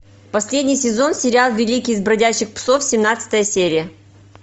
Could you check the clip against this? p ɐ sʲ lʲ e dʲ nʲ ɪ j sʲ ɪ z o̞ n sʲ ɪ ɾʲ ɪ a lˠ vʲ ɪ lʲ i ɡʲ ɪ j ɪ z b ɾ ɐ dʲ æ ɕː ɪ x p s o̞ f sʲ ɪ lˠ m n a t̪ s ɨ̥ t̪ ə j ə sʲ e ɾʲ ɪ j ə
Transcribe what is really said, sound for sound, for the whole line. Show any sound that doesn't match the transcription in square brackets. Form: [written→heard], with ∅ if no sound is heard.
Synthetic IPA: p ɐ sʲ lʲ e dʲ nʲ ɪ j sʲ ɪ z o̞ n sʲ ɪ ɾʲ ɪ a lˠ vʲ ɪ lʲ i [ɡʲ→kʲ] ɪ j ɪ z b ɾ ɐ dʲ æ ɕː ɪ x p s o̞ f sʲ ɪ [lˠ→∅] m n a t̪ s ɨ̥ t̪ ə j ə sʲ e ɾʲ ɪ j ə